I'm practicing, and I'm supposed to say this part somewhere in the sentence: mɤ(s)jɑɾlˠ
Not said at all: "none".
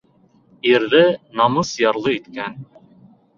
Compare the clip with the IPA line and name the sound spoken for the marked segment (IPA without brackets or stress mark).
s